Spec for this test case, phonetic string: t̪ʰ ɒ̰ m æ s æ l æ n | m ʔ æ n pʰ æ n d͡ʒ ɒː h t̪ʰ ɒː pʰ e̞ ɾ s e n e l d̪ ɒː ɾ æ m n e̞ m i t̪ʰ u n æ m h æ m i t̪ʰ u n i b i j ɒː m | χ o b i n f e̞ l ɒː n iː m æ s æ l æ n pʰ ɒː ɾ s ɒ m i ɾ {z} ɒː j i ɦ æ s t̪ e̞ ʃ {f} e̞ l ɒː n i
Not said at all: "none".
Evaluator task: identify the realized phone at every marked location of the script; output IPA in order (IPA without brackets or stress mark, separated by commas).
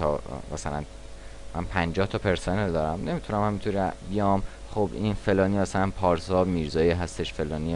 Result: z, f